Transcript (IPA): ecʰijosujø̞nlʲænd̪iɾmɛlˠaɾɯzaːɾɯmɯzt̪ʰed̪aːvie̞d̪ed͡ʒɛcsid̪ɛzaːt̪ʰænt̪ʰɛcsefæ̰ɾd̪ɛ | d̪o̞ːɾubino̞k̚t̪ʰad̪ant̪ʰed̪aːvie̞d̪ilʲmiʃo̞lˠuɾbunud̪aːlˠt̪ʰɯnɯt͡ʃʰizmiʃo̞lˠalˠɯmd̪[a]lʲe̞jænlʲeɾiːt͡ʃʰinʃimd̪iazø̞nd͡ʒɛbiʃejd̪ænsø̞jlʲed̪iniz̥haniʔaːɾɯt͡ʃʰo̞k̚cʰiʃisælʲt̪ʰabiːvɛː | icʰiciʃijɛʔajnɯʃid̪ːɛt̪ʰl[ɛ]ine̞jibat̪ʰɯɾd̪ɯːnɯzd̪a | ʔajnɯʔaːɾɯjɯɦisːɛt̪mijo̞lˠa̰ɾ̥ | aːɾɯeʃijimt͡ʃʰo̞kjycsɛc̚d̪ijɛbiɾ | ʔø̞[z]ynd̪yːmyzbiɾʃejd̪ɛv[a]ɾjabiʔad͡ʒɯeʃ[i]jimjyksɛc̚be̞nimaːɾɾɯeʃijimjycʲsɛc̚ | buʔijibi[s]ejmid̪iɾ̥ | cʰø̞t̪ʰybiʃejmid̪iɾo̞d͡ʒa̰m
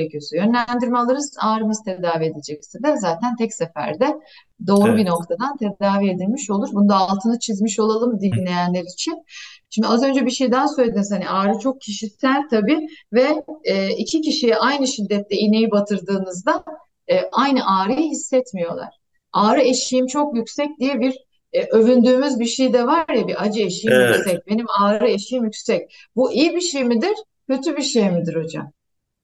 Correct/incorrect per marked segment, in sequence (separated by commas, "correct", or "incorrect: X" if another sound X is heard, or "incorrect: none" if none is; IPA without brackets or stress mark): incorrect: i, correct, incorrect: v, correct, correct, incorrect: ʃ